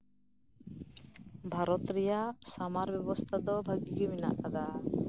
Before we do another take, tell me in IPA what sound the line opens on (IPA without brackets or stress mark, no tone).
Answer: bʱ